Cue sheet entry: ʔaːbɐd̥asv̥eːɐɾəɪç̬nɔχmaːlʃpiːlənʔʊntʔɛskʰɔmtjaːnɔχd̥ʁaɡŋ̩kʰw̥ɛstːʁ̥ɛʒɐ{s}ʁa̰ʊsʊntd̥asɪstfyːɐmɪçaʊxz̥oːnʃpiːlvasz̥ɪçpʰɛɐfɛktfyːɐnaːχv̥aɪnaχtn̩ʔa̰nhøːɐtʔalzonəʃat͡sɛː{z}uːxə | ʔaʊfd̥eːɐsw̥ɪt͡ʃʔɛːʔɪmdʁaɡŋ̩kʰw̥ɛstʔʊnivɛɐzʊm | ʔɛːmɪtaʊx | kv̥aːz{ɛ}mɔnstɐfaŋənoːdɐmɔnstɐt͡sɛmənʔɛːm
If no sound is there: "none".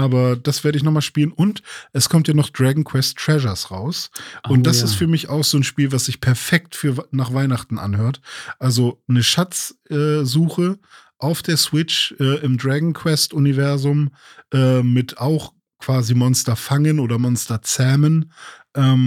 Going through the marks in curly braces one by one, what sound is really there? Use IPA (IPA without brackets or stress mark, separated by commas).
s, z, i